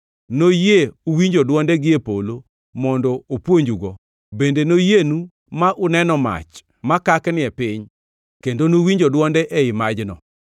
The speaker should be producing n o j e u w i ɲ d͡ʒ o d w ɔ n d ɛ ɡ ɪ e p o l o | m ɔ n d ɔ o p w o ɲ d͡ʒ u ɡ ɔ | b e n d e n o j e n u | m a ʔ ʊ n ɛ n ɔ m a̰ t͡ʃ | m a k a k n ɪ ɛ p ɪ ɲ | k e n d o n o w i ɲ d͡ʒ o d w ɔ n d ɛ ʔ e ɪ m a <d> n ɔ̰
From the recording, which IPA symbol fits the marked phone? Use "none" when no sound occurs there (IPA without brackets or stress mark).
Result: d͡ʒ